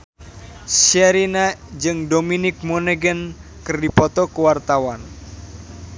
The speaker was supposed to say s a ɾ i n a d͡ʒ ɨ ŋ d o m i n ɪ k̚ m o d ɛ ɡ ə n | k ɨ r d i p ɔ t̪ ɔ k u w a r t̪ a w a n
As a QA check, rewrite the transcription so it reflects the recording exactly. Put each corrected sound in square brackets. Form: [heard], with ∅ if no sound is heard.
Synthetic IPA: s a ɾ i n a d͡ʒ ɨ ŋ d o m i n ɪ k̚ m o [n] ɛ ɡ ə n | k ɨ r d i p ɔ t̪ ɔ k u w a r t̪ a w a n